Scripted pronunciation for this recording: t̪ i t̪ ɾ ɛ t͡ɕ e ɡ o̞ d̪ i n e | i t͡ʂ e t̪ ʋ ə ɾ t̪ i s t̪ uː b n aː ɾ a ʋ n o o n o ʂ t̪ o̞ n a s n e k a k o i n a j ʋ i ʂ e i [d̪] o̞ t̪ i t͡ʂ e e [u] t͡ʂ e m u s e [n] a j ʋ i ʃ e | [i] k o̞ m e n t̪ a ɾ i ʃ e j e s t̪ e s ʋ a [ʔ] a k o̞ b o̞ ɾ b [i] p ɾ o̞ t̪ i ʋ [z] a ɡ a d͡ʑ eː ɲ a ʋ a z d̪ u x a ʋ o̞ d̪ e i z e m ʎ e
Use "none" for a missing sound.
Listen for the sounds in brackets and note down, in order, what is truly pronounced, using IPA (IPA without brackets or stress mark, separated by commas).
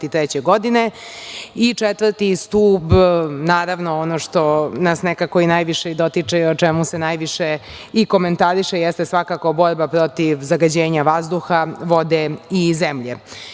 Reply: d̪, o, n, i, k, a, z